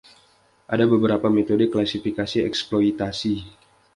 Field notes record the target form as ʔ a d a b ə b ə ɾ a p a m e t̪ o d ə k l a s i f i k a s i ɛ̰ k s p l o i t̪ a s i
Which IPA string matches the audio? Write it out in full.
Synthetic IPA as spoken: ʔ a d a b ə b ə ɾ a p a m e t̪ o d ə k l a s i f i k a s i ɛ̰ k s p l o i t̪ a s i

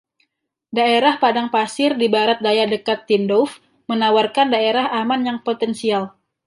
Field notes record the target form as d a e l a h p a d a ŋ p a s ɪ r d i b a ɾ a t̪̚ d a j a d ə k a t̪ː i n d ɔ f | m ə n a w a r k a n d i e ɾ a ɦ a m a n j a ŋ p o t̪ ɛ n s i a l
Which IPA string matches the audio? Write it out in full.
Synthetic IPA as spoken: d a e ɾ a h p a d a ŋ p a s ɪ r d i b a ɾ a t̪̚ d a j a d ə k a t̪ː i n d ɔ f | m ə n a w a r k a n d a e ɾ a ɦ a m a n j a ŋ p o t̪ ɛ n s i a l

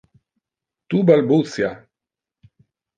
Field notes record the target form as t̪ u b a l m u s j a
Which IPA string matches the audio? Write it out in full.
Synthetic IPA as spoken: t̪ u b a l b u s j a

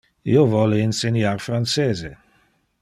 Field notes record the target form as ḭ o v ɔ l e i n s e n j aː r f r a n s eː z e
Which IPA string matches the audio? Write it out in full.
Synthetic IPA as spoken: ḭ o v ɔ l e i n s e n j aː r f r a n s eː z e

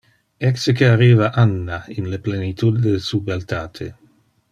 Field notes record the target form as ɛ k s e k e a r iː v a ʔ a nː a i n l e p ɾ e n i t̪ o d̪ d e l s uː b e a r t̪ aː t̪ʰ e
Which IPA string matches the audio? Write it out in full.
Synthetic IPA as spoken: ɛ k s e k e a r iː v a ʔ a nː a i n l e p l e n i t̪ u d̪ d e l s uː b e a l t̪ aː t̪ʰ e

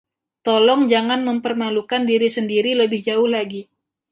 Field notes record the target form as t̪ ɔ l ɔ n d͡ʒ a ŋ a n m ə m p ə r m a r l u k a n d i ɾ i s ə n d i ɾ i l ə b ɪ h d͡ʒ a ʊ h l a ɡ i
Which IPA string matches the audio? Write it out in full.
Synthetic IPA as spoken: t̪ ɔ l ɔ ŋ d͡ʒ a ŋ a n m ə m p ə r m a l u k a n d i ɾ i s ə n d i ɾ i l ə b ɪ h d͡ʒ a ʊ h l a ɡ i

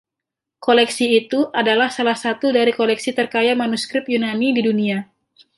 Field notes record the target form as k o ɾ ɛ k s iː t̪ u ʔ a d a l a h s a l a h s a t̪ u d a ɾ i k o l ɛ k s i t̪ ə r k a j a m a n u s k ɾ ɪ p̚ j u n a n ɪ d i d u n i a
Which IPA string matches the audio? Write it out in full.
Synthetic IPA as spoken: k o l ɛ k s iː t̪ u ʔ a d a l a h s a l a h s a t̪ u d a ɾ i k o l ɛ k s i t̪ ə r k a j a m a n u s k ɾ ɪ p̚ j u n a n i d i d u n i a

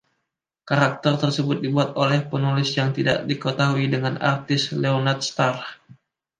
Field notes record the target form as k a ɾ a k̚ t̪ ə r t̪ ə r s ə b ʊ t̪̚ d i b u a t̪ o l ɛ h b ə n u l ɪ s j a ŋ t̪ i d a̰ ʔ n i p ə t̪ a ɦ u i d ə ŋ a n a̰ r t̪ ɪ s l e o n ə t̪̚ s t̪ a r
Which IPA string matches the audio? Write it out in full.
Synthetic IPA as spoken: k a ɾ a k̚ t̪ ə r t̪ ə r s ə b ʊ t̪̚ d i b u a t̪ o l ɛ h p ə n u l ɪ s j a ŋ t̪ i d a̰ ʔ d i k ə t̪ a ɦ u i d ə ŋ a n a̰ r t̪ ɪ s l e o n a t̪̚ s t̪ a r

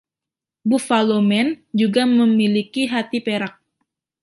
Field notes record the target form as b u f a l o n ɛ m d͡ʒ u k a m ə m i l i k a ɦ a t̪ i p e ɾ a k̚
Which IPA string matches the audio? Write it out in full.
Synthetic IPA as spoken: b u f a l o m ɛ n d͡ʒ u ɡ a m ə m i l i k i ɦ a t̪ i p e ɾ a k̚

